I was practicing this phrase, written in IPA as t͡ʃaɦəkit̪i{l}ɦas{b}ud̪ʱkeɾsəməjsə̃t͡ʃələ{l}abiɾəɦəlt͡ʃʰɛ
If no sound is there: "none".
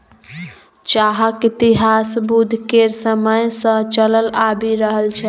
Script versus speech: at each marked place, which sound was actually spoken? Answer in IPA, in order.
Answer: none, b, l

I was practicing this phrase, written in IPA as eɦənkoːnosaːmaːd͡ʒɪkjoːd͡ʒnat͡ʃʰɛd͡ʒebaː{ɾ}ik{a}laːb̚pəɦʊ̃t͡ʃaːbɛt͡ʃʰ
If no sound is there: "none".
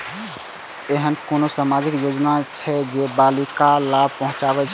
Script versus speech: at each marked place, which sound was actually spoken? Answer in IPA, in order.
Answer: l, a

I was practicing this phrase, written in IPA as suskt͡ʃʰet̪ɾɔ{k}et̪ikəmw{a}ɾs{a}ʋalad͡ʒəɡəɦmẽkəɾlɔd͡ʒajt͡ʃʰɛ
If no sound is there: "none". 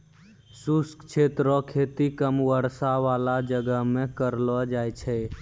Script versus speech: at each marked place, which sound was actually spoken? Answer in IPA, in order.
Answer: kʰ, ə, a

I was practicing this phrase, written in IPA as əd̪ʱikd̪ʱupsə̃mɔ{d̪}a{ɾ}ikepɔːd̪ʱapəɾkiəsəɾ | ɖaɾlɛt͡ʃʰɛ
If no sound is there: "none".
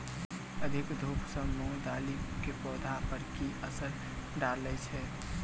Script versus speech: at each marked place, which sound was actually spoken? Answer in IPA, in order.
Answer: d̪, l

